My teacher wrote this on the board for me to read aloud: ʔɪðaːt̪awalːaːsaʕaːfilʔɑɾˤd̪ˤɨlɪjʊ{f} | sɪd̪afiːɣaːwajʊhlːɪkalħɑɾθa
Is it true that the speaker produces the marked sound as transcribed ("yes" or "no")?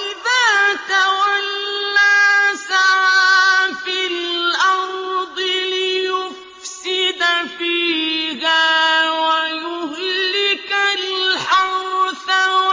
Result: yes